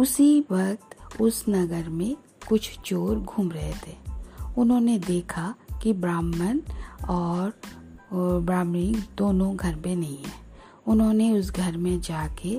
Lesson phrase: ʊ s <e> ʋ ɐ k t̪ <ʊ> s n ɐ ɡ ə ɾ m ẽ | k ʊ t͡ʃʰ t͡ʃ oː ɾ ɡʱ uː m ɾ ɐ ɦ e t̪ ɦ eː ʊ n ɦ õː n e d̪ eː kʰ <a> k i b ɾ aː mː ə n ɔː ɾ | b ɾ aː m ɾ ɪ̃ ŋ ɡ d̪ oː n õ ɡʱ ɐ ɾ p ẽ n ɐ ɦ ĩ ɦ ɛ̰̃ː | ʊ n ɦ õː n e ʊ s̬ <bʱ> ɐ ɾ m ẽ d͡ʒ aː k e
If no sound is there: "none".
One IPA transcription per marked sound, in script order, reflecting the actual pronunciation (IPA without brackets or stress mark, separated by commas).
i, ʊ, a, ɡʱ